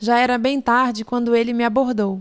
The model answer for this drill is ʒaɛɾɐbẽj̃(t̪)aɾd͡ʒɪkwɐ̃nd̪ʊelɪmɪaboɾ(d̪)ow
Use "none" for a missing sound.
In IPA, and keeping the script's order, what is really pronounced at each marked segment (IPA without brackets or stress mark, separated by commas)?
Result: t̪, d̪